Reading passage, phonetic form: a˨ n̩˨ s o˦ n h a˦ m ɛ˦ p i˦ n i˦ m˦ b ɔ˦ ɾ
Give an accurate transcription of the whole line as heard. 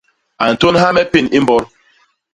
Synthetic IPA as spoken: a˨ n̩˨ t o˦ n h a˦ m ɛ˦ p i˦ n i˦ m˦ b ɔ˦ ɾ